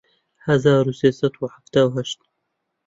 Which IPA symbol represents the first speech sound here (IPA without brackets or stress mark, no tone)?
h